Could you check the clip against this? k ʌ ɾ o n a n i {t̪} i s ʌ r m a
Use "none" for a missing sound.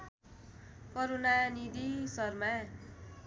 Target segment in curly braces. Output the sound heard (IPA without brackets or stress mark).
d̪